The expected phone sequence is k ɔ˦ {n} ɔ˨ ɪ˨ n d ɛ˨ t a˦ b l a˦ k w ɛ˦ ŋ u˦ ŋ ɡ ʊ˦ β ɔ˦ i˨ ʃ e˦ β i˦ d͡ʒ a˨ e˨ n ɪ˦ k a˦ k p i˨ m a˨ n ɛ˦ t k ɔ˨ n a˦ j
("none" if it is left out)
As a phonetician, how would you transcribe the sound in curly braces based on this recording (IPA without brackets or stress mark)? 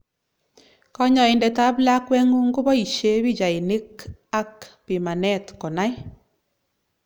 ɲ